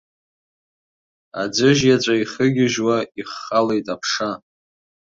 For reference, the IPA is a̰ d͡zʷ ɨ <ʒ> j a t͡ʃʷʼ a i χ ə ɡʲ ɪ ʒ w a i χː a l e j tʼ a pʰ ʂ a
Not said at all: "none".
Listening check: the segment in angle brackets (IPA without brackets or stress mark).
ʒ